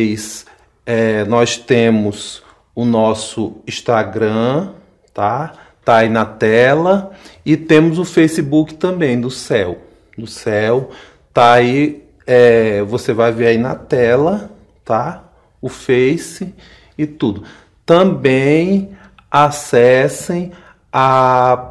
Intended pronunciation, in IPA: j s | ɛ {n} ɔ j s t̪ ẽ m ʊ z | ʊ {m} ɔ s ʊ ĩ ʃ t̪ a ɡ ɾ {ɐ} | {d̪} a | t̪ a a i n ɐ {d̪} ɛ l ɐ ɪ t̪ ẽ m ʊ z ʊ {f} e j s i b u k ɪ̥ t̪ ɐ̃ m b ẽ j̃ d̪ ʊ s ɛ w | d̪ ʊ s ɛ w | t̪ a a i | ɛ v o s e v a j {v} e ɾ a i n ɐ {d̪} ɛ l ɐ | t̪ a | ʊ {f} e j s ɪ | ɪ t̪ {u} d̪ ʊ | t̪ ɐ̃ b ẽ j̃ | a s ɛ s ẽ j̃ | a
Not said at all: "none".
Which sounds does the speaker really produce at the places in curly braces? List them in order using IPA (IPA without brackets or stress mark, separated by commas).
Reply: n, n, ɐ̃, t̪, t̪, f, v, t̪, f, u